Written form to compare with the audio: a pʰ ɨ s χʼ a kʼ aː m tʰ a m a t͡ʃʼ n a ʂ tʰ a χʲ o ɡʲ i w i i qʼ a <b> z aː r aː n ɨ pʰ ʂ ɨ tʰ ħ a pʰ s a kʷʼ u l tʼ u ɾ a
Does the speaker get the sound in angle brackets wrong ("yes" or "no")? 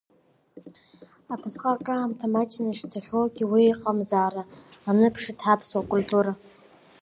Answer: yes